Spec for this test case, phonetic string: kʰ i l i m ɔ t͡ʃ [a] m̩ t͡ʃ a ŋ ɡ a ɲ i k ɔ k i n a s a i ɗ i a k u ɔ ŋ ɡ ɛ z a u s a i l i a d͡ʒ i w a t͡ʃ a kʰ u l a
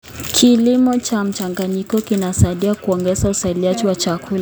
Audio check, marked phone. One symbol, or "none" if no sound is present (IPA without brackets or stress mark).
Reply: a